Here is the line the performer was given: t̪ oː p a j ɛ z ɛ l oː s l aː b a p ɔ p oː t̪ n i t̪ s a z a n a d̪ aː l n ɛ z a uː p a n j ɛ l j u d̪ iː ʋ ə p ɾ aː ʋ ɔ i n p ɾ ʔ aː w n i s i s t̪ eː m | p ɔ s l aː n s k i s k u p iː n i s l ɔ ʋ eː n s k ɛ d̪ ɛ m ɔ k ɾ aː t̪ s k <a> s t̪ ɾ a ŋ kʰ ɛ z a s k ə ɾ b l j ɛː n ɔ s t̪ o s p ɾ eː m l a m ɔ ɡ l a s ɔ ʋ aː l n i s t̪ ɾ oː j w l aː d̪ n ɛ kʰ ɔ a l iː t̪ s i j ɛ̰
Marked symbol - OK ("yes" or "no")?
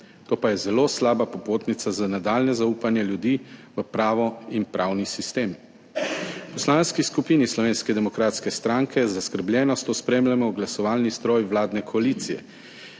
no